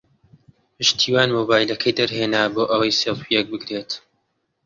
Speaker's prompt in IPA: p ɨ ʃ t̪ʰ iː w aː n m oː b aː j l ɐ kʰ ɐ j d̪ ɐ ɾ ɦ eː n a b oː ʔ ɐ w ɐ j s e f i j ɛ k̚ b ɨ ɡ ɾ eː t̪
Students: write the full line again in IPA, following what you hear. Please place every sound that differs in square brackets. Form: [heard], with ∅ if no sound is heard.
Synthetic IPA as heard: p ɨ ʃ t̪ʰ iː w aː n m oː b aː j l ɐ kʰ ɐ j d̪ ɐ ɾ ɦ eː n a b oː ʔ ɐ w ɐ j s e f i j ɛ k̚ b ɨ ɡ ɾ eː t̪